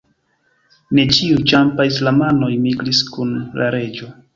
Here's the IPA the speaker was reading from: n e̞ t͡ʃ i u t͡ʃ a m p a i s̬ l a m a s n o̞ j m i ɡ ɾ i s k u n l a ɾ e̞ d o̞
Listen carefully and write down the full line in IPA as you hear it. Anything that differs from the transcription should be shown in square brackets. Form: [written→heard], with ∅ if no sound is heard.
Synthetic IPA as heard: n e̞ t͡ʃ i u t͡ʃ a m p a i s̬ l a m a [s→∅] n o̞ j m i ɡ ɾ i s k u n l a ɾ e̞ [d→d͡ʒ] o̞